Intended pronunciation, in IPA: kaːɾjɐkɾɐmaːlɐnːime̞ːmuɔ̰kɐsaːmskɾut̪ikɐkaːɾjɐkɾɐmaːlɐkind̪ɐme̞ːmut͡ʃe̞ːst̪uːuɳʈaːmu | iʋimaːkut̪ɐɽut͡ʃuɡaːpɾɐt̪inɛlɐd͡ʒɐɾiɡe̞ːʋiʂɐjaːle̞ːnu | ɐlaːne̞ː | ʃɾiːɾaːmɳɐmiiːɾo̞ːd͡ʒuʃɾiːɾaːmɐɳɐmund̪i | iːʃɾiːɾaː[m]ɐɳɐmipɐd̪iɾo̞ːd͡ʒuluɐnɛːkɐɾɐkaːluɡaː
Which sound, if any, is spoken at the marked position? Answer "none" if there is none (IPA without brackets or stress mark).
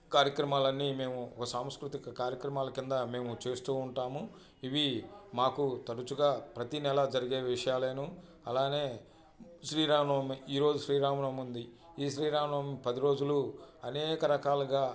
m